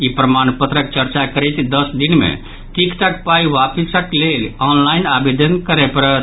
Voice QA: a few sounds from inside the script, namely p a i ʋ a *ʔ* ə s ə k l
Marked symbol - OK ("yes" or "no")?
no